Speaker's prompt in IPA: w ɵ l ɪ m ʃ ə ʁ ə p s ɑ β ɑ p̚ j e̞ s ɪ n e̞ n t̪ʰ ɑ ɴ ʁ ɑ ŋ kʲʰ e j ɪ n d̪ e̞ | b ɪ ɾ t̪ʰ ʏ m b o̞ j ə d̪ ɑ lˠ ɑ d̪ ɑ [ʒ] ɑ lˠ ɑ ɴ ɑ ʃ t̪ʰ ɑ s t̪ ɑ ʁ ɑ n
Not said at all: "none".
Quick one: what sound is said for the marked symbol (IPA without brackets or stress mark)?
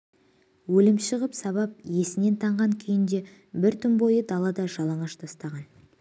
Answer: ʒ